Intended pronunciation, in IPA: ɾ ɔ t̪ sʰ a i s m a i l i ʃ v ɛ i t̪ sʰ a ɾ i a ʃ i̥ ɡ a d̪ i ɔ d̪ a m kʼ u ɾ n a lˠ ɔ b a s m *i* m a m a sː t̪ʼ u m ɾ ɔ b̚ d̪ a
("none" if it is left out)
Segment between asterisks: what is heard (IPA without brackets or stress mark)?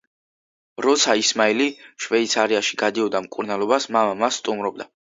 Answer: a